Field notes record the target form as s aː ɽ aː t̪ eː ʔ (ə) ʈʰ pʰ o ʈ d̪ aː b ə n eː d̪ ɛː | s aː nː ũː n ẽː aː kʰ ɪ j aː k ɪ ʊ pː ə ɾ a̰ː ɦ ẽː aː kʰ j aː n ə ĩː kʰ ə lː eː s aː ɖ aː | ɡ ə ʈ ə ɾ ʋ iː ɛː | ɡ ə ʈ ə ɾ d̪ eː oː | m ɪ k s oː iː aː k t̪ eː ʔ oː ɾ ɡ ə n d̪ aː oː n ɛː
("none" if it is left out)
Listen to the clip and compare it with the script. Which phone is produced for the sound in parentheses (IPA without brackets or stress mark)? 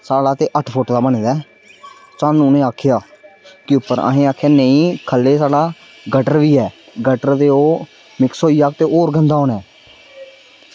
ə